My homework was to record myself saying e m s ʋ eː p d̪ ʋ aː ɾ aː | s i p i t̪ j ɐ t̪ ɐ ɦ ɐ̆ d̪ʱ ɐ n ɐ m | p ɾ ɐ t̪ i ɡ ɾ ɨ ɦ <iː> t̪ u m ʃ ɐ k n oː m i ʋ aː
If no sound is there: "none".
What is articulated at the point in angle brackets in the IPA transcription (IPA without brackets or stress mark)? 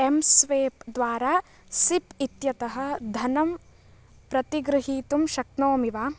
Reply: iː